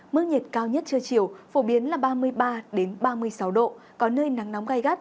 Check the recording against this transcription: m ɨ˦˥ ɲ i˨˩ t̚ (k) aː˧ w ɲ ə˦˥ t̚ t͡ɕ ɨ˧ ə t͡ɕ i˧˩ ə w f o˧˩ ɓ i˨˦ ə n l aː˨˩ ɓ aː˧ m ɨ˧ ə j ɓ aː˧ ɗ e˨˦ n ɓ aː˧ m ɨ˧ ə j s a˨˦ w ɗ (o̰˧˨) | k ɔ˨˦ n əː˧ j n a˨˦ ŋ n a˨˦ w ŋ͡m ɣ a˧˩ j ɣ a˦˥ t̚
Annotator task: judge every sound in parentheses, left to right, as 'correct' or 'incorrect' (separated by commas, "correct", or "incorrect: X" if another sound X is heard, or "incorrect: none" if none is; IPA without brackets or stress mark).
correct, correct